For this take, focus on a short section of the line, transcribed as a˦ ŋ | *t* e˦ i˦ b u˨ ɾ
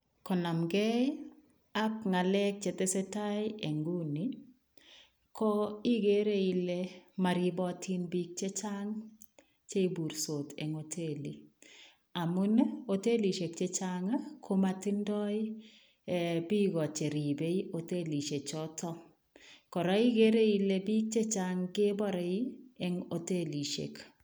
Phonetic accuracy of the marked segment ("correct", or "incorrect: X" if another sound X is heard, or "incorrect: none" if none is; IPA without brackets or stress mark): incorrect: t͡ʃ